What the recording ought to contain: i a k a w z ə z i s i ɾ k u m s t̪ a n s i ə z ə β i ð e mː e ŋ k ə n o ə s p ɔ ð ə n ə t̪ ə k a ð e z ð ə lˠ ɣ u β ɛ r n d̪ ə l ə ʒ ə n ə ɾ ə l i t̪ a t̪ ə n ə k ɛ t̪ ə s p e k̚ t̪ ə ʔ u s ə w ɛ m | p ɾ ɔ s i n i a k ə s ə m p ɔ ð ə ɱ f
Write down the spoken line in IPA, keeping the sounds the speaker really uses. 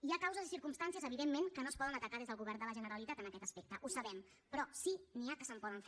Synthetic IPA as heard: i a k a w z ə z i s i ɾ k u m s t̪ a n s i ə z ə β i ð e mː e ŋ k ə n o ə s p ɔ ð ə n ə t̪ ə k a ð e z ð ə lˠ ɣ u β ɛ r n d̪ ə l ə ʒ ə n ə ɾ ə l i t̪ a t̪ ə n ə k ɛ t̪ ə s p e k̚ t̪ ə ʔ u s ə β ɛ m | p ɾ ɔ s i n i a k ə s ə m p ɔ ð ə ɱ f

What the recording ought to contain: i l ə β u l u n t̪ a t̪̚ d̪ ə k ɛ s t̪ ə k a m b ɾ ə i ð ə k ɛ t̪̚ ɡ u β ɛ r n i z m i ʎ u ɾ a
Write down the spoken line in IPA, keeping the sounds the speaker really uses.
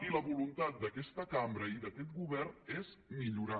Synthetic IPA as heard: i l ə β u l u n t̪ a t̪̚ d̪ ə k ɛ s t̪ ə k a m b ɾ ə i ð ə k ɛ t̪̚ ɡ u β ɛ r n e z m i ʎ u ɾ a

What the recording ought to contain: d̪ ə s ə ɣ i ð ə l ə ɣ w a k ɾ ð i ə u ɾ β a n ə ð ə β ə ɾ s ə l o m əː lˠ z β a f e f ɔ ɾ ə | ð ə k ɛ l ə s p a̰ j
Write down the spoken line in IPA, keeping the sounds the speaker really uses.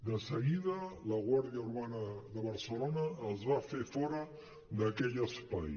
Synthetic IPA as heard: d̪ ə s ə ɣ i ð ə l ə ɣ w a ɾ ð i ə u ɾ β a n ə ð ə β ə ɾ s ə l o n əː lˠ z β a f e f ɔ ɾ ə | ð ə k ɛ ʎ ə s p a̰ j

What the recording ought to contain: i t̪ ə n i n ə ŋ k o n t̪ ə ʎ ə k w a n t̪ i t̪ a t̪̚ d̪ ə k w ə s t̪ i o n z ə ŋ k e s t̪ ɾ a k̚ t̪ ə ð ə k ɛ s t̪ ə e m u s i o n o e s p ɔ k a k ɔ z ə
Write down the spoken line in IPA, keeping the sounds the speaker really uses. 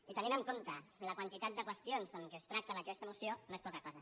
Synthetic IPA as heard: i t̪ ə n i n ə ŋ k o n t̪ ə l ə k w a n t̪ i t̪ a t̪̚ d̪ ə k w ə s t̪ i o n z ə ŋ k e s t̪ ɾ a k̚ t̪ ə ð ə k ɛ s t̪ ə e m u s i o n o e s p ɔ k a k ɔ z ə

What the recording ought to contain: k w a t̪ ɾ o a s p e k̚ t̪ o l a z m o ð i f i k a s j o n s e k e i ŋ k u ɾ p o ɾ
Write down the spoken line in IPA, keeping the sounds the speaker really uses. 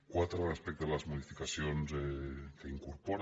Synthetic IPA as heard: k w a t̪ ɾ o a s p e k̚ t̪ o l a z m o ð i f i k a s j o n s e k e i ŋ k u ɾ p o ɾ

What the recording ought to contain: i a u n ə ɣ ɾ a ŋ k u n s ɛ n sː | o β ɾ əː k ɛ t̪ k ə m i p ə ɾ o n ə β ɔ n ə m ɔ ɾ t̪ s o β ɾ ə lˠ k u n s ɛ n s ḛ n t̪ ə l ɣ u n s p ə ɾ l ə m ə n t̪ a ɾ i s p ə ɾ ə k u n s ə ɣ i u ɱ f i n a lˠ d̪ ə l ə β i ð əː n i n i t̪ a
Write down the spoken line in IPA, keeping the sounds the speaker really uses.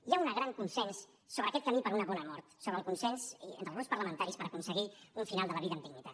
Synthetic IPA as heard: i a u n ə ɣ ɾ a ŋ k u n s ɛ n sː | o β ɾ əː k ɛ t̪ k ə m i p ə ɾ u n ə β ɔ n ə m ɔ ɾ t̪ s o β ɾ ə lˠ k u n s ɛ n s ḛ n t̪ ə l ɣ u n s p ə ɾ l ə m ə n t̪ a ɾ i s p ə ɾ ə k u n s ə ɣ i u ɱ f i n a lˠ d̪ ə l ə β i ð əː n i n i t̪ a

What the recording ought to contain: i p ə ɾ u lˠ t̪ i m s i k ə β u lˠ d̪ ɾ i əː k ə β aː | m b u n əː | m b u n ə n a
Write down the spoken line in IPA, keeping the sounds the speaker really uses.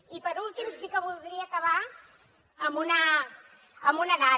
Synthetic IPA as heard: i p ə ɾ u lˠ t̪ i m s i k ə β u lˠ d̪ ɾ i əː k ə β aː | m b u n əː | m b u n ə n a

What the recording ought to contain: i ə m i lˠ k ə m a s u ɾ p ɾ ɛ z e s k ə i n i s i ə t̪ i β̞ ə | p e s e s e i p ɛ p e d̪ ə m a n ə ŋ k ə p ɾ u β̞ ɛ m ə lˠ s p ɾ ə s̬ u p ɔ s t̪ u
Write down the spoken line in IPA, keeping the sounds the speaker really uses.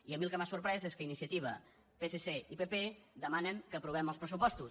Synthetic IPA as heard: i ə m i lˠ k ə m a s u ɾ p ɾ ɛ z e s k ə i n i s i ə t̪ i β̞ ə | p e s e s e i p e p e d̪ ə m a n ə ŋ k ə p ɾ u β̞ ɛ m ə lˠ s p ɾ ə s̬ u p ɔ s t̪ u

